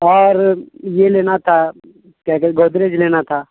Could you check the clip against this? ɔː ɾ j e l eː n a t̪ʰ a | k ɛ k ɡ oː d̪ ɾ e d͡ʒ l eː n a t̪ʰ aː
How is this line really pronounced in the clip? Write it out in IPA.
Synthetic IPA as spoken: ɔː ɾ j e l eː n a t̪ʰ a | k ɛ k ɡ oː d̪ ɾ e d͡ʒ l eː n a t̪ʰ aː